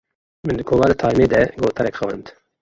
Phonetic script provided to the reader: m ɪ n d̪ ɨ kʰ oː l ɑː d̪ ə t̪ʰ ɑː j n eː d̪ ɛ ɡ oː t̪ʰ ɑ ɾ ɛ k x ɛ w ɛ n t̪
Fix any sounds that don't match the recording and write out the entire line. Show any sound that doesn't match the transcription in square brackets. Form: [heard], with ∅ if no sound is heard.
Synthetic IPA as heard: m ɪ n d̪ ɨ kʰ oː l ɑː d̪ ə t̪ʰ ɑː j [m] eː d̪ ɛ ɡ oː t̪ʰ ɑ ɾ ɛ k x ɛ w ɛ n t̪